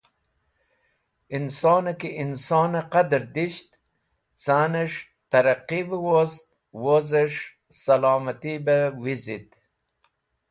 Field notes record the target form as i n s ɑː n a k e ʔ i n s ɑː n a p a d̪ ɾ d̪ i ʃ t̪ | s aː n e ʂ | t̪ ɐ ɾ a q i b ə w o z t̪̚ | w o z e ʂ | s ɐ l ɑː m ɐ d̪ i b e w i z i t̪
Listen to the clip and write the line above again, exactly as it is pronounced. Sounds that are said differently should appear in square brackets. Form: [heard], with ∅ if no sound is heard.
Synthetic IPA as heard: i n s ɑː n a k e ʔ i n s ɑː n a [q] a d̪ ɾ d̪ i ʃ t̪ | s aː n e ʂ | t̪ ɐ ɾ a q i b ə w o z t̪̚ | w o z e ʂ | s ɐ l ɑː m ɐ [t̪] i b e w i z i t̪